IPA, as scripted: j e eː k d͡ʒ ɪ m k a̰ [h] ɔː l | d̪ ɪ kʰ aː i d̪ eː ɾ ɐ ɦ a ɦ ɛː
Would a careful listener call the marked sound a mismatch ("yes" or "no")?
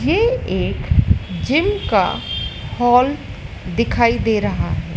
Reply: no